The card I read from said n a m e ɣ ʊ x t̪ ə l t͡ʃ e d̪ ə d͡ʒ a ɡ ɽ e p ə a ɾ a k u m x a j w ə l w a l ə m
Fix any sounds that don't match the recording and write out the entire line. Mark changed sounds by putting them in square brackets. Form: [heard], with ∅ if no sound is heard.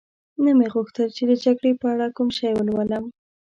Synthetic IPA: n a m e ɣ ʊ x t̪ ə l t͡ʃ e d̪ ə d͡ʒ a ɡ ɽ e p ə a [ɽ] a k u m [ʃ] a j w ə l w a l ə m